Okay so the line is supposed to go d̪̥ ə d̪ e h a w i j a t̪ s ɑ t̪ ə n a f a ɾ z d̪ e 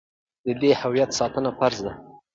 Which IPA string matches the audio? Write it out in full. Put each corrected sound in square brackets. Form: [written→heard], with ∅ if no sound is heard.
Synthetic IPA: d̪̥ ə d̪ e h a w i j a t̪ s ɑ t̪ ə n a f a ɾ z d̪ [e→a]

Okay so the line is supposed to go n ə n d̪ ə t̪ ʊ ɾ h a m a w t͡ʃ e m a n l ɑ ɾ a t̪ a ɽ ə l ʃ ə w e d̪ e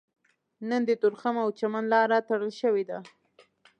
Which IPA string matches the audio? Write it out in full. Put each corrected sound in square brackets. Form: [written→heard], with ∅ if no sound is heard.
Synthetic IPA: n ə n d̪ ə t̪ ʊ ɾ [h→x] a m a w t͡ʃ [e→a] m a n l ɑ ɾ a t̪ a ɽ ə l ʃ ə w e d̪ [e→a]

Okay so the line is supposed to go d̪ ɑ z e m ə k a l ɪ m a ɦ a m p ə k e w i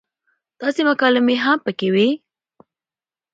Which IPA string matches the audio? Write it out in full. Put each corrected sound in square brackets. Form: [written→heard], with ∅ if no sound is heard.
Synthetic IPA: [d̪→t̪] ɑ [z→s] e m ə k [a→ɑ] l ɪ m [a→e] ɦ a m p ə k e w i

